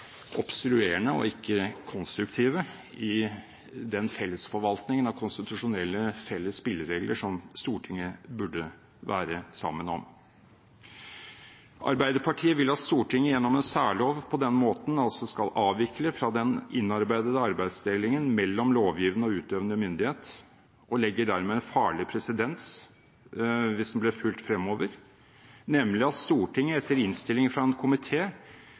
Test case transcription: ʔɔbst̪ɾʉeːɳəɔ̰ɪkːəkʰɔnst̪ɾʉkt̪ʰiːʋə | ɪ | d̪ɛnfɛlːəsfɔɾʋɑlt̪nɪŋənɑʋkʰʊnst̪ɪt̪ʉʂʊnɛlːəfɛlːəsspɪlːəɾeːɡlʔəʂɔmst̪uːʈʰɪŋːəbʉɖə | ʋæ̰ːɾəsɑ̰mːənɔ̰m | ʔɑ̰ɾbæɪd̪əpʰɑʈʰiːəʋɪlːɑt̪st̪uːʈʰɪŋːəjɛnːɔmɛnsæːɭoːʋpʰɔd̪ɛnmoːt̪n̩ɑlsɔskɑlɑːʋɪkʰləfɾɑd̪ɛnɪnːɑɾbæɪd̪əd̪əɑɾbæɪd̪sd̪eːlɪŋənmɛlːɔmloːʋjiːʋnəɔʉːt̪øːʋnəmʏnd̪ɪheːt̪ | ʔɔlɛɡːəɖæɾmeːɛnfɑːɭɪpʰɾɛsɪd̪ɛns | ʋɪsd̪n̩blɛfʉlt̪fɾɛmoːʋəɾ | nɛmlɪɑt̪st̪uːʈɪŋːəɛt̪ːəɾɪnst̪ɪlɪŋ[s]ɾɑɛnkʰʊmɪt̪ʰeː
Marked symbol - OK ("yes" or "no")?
no